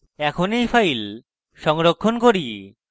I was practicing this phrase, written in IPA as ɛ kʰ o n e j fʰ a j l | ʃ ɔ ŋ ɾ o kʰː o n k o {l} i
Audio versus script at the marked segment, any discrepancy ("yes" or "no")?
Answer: yes